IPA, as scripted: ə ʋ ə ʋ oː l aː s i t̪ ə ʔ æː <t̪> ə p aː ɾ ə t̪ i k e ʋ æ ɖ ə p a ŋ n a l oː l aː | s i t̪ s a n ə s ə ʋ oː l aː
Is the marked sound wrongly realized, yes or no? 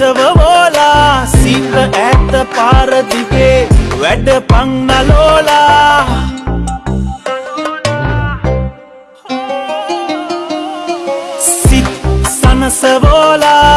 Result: no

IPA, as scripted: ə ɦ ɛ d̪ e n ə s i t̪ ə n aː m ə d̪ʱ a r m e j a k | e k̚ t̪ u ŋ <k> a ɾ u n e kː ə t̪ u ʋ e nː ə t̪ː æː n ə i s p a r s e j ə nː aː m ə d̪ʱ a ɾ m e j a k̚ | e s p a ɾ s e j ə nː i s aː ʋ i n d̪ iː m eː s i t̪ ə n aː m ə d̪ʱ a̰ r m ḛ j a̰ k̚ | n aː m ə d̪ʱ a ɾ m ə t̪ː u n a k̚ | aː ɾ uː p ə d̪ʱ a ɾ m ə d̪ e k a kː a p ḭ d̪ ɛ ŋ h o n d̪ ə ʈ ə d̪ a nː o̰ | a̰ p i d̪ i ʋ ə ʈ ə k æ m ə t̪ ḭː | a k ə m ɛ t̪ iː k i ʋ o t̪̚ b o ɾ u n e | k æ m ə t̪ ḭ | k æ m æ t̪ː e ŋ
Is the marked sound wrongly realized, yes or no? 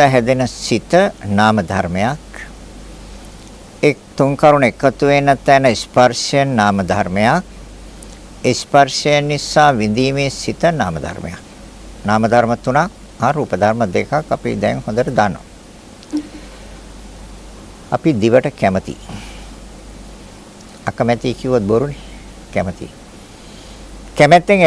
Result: no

